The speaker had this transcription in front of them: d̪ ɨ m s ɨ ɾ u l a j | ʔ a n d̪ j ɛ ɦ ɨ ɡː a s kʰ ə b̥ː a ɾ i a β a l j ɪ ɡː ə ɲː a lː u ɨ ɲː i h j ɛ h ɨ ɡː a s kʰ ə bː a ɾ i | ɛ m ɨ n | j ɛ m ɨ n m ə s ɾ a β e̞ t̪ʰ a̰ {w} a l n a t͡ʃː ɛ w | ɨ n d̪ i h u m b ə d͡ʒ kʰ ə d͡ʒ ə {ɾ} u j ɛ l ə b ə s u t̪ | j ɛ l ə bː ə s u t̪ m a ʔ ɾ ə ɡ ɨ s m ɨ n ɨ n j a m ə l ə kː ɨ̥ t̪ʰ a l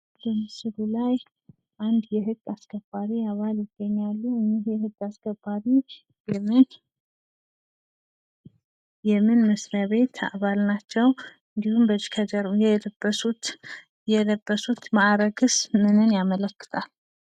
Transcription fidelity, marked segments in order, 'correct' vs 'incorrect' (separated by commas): incorrect, correct